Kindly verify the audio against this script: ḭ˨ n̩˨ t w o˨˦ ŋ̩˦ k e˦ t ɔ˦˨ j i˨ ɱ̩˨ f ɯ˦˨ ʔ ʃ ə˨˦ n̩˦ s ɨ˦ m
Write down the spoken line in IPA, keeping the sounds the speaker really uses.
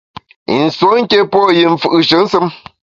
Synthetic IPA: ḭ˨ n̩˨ s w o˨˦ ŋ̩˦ k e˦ p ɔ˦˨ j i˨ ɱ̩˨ f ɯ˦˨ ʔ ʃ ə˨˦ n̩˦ s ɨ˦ m